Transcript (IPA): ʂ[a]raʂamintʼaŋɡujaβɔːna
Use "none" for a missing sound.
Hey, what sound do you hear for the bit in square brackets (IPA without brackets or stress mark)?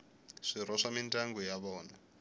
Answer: i